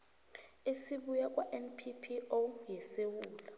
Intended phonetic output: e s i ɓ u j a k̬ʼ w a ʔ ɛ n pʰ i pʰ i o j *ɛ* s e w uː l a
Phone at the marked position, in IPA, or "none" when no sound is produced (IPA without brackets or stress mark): ɛ